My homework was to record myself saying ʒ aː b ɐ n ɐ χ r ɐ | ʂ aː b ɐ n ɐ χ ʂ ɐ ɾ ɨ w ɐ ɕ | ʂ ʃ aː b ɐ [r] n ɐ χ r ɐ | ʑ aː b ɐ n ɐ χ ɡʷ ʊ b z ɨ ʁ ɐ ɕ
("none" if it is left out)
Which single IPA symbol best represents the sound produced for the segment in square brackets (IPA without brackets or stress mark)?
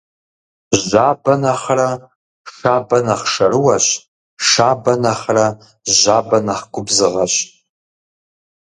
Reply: none